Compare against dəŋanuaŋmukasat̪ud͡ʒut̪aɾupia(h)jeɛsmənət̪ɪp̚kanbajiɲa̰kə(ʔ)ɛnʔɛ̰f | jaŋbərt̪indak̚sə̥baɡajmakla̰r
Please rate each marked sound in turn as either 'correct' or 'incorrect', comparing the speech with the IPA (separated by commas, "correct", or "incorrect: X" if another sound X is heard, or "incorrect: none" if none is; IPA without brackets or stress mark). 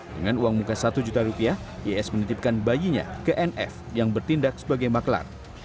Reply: correct, correct